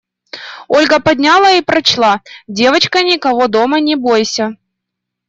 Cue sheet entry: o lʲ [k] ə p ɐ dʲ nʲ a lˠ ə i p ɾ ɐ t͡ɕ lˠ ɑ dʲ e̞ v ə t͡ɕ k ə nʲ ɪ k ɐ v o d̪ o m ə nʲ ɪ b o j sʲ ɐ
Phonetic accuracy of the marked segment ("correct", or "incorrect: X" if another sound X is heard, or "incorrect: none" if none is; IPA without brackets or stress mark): incorrect: ɡ